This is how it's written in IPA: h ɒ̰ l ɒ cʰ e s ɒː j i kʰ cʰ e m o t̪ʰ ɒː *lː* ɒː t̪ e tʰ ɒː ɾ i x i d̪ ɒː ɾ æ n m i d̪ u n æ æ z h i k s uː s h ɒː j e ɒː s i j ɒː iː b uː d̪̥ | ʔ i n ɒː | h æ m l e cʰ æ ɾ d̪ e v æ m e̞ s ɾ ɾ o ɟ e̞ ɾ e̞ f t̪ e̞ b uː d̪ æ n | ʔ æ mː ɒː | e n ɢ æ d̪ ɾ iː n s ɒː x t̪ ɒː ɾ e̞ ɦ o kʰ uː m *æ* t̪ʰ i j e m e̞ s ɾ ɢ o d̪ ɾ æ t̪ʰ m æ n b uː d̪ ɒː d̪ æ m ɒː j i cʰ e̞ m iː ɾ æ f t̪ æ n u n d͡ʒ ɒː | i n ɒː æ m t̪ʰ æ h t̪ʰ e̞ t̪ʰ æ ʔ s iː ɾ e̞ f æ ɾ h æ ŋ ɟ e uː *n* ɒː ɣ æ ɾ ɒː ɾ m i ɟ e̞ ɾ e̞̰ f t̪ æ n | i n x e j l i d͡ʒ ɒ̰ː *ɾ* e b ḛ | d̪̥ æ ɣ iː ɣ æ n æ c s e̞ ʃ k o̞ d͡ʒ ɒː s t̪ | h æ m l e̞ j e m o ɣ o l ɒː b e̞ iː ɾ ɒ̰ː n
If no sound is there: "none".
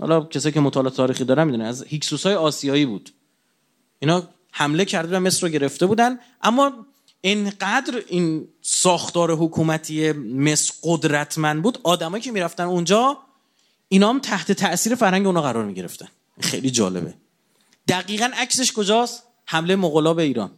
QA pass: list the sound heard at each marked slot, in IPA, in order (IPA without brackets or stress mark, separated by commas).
l, æ, n, l